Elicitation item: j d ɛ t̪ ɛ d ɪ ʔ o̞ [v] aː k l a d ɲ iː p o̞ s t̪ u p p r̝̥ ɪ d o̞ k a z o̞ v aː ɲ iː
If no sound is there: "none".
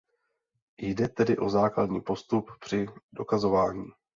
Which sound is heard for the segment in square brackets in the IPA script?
z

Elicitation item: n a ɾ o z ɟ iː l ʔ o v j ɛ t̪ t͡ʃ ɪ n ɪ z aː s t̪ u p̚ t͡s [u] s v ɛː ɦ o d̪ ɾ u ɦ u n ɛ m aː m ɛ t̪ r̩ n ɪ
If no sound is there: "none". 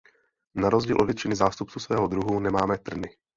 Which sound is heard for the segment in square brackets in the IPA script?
u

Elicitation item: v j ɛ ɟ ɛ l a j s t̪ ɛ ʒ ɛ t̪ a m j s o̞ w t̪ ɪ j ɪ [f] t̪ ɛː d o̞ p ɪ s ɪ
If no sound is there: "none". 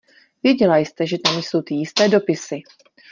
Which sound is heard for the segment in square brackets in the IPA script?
s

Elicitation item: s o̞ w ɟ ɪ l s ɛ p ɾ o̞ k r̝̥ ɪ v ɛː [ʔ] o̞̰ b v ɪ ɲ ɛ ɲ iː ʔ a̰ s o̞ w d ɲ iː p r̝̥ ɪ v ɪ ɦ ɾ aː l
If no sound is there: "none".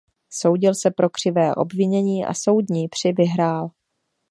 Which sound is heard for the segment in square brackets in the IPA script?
ʔ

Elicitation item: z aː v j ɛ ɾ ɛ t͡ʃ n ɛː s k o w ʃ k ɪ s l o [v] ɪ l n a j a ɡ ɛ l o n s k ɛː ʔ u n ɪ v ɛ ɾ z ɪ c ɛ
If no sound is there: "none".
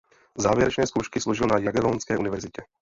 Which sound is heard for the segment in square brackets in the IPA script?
ʒ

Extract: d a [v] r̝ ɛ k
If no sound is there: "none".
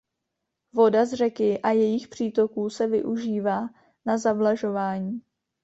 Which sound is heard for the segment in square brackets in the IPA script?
z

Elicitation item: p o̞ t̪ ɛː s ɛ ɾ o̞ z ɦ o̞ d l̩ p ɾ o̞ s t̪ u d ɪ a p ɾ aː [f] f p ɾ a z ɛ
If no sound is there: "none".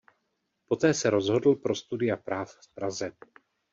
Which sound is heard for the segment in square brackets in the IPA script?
f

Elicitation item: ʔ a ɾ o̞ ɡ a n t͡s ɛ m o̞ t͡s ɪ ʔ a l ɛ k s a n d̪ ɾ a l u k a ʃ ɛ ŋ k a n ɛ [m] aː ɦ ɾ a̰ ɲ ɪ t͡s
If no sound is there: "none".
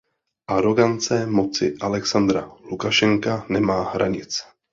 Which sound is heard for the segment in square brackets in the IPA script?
m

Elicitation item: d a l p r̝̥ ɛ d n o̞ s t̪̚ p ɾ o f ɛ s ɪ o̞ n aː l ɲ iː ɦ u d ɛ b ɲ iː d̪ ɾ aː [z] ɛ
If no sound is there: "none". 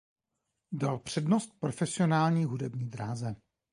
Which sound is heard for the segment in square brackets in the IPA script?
z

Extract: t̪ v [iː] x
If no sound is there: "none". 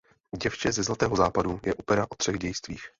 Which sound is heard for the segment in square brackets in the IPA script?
iː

